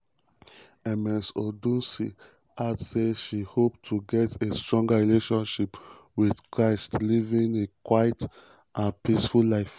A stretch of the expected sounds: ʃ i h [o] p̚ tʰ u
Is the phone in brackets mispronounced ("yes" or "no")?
no